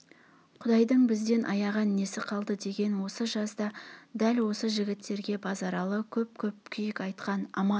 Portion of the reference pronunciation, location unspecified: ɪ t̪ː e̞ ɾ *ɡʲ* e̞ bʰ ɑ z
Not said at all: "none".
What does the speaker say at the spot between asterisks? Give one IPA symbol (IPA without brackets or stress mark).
ɡʲ